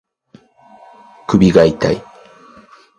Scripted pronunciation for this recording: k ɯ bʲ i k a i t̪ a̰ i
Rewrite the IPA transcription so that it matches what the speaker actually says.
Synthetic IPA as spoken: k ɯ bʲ i ɡ a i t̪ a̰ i